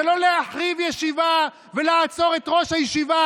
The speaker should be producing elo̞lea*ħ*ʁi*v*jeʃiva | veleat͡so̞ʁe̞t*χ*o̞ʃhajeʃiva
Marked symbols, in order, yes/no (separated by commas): yes, yes, no